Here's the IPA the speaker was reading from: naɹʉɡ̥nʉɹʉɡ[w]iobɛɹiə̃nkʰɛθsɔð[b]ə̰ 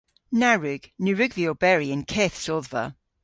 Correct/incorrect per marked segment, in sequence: incorrect: v, incorrect: v

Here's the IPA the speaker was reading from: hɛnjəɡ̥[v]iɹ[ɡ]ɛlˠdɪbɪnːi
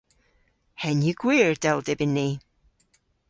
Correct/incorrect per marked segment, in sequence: incorrect: w, incorrect: d

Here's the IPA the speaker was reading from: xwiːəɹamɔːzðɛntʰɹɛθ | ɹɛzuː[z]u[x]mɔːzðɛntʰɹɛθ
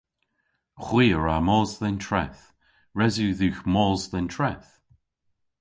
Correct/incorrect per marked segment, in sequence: incorrect: ð, correct

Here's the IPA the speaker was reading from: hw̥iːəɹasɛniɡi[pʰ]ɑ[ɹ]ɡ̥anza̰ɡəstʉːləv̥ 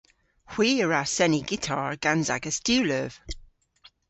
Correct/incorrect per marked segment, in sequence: incorrect: tʰ, correct

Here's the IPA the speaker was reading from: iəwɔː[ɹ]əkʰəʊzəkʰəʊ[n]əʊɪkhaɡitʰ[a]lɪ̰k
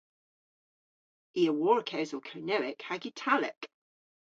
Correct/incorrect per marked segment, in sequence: correct, correct, correct

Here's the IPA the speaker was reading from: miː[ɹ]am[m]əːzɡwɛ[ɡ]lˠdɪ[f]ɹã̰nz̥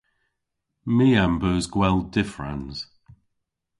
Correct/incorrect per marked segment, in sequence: incorrect: none, incorrect: b, incorrect: none, correct

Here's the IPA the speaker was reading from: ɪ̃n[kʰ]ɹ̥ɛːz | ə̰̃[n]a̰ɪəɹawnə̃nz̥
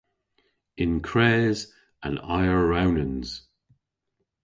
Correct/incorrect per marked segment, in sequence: correct, correct

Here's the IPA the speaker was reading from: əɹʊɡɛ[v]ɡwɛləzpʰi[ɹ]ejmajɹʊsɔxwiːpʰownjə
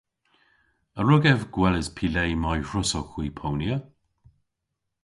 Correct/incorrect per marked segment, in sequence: correct, incorrect: l

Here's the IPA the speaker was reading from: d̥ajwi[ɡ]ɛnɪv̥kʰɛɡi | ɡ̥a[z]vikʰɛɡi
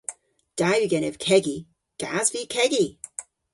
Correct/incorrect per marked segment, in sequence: correct, correct

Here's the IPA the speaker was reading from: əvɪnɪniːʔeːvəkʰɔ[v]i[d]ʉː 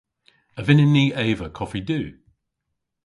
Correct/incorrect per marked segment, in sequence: incorrect: f, correct

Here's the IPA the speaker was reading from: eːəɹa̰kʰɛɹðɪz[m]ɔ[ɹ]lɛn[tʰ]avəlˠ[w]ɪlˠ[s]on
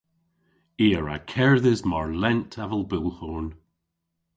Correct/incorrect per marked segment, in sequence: correct, correct, correct, incorrect: b, incorrect: h

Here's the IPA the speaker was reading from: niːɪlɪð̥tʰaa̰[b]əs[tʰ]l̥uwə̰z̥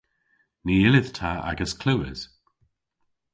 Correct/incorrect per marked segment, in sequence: incorrect: ɡ, incorrect: kʰ

